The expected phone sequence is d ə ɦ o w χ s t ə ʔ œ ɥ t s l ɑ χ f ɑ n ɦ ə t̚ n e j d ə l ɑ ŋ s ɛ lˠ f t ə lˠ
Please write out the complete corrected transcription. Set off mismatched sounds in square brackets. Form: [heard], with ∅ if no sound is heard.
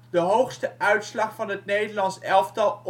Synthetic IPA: d ə ɦ o w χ s t ə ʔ œ ɥ t s l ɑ χ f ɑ n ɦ ə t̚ n e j d ə l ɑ [n] s ɛ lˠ f t [ɑ] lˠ